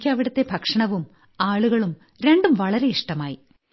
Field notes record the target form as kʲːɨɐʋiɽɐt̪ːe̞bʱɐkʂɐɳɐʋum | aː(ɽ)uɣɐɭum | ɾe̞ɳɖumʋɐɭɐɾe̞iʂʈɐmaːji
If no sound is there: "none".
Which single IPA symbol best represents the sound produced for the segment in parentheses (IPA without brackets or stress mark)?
ɭ